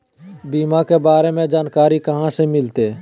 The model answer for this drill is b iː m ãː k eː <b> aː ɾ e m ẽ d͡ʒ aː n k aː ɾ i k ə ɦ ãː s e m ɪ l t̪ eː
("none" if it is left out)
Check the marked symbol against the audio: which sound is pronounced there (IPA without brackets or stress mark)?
b